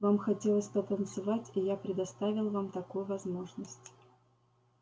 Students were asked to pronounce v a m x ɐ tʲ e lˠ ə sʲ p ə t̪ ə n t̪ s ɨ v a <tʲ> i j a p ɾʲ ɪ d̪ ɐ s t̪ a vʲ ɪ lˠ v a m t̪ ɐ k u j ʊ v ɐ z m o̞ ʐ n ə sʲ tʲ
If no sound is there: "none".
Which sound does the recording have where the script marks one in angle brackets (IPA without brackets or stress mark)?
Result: tʲ